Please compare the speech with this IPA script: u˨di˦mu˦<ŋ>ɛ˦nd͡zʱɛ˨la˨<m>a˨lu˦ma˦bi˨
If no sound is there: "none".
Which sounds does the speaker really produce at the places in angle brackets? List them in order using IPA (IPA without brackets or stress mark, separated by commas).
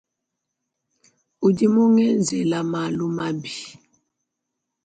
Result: ŋ, m